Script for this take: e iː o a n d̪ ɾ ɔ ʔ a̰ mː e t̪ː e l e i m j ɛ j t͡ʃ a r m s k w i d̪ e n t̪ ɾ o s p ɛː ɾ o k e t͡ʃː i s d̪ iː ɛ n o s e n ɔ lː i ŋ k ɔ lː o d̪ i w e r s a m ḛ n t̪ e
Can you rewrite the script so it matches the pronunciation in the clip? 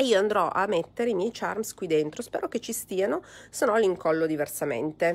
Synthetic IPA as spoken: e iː o a n d̪ ɾ ɔ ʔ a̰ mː e t̪ː e ɾ e i m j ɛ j t͡ʃ a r m s k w i d̪ e n t̪ ɾ o s p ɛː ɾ o k e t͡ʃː i s t̪ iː a n o s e n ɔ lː i ŋ k ɔ lː o d̪ i v e r s a m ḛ n t̪ e